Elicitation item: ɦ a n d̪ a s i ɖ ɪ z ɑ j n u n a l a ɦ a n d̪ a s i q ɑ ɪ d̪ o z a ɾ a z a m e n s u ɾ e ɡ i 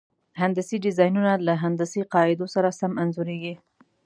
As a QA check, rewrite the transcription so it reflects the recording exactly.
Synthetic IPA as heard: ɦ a n d̪ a s i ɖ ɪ z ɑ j n u n a l a ɦ a n d̪ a s i q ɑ ɪ d̪ o s a ɾ a s a m a n z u ɾ e ɡ i